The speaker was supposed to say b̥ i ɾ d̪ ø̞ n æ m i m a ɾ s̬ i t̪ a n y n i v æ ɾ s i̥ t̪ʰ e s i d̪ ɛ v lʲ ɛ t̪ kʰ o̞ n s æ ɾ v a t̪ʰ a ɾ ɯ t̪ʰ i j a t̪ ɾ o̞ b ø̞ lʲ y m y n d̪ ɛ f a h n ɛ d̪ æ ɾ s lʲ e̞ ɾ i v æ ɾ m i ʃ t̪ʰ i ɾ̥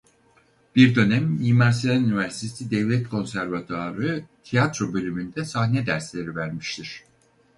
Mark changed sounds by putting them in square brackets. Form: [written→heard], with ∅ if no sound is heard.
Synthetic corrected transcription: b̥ i ɾ d̪ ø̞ n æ m i m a ɾ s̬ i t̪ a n y n i v æ ɾ s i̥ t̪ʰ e s i d̪ ɛ v lʲ ɛ t̪ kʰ o̞ n s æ ɾ v a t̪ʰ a ɾ ɯ t̪ʰ i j a t̪ ɾ o̞ b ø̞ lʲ y m y n d̪ ɛ [f→s] a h n ɛ d̪ æ ɾ s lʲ e̞ ɾ i v æ ɾ m i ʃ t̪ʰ i ɾ̥